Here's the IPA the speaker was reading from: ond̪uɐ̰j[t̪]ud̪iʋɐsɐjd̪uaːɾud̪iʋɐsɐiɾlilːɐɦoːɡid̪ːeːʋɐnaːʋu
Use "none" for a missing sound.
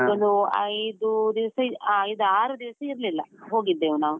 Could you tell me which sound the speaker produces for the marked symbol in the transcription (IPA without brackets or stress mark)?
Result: d̪